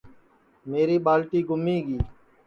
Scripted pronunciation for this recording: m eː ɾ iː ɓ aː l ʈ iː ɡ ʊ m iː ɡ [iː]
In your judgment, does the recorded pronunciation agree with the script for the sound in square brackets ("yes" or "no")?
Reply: yes